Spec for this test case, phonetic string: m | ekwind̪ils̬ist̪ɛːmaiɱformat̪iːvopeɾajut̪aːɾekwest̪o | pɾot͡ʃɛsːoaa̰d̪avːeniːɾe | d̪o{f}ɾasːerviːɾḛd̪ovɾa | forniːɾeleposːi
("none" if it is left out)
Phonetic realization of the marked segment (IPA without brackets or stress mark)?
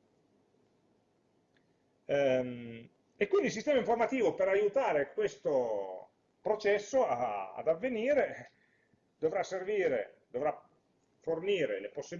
v